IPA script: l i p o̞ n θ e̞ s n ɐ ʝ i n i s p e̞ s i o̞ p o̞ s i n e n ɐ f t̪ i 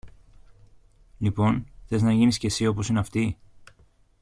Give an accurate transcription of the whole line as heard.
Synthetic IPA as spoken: l i p o̞ n θ e̞ z n ɐ ʝ i n i s c e̞ s i o̞ p o̞ s i n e ɐ f t̪ i